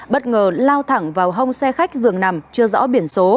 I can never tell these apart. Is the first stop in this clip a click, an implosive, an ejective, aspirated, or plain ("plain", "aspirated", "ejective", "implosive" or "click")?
implosive